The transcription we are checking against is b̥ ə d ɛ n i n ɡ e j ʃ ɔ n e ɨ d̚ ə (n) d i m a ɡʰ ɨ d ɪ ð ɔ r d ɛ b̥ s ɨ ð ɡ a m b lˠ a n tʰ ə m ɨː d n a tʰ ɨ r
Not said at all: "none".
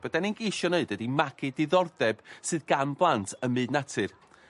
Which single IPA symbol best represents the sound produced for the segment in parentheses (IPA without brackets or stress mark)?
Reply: none